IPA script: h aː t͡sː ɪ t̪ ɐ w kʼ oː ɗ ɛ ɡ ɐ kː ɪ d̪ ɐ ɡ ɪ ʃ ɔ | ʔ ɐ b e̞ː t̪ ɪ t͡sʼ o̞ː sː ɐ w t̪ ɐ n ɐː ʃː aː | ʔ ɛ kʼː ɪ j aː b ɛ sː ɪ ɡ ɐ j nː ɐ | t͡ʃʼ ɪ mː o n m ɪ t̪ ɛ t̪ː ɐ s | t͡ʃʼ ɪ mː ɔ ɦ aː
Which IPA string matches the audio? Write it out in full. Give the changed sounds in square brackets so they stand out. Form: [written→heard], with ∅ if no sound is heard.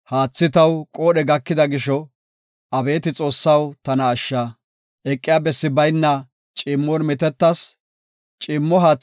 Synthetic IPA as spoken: h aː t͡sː ɪ t̪ ɐ w kʼ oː ɗ ɛ ɡ ɐ kː ɪ d̪ ɐ ɡ ɪ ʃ ɔ | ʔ ɐ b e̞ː t̪ ɪ t͡sʼ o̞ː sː ɐ w t̪ ɐ n ɐː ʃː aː | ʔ ɛ kʼː ɪ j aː b ɛ sː ɪ [ɡ→b] ɐ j nː ɐ | t͡ʃʼ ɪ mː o n m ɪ t̪ ɛ t̪ː ɐ s | t͡ʃʼ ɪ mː ɔ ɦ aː